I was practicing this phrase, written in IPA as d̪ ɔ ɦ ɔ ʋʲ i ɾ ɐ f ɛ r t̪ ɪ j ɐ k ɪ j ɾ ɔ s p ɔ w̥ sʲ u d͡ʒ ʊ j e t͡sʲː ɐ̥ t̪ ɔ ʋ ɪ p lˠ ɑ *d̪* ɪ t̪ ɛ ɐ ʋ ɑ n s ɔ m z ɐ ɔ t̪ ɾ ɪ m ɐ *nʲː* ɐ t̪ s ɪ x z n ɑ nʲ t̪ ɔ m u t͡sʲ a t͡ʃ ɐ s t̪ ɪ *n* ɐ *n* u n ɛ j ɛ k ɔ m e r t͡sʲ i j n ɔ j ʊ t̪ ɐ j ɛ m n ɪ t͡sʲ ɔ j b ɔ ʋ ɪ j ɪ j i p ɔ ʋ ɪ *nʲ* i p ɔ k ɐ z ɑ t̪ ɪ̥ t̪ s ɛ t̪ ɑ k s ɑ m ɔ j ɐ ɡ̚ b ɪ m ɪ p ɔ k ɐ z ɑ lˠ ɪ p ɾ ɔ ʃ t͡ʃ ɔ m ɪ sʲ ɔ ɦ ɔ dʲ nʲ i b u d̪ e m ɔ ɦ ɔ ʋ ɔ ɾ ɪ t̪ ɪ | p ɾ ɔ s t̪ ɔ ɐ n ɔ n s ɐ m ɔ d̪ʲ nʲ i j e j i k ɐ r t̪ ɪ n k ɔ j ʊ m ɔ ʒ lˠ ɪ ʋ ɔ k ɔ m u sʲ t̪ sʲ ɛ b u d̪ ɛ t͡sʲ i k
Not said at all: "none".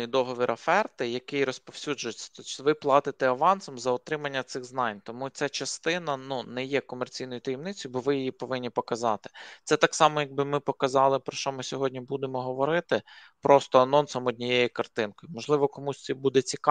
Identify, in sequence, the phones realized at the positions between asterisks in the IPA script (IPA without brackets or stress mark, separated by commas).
t̪, nʲː, n, n, nʲː